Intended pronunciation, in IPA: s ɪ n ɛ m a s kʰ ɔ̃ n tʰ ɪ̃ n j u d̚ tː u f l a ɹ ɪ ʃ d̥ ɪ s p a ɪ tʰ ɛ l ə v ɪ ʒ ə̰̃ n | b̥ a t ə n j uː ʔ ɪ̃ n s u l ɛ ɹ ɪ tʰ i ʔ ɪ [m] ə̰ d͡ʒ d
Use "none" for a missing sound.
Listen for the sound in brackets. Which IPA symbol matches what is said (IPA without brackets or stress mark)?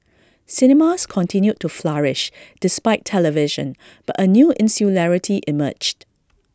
m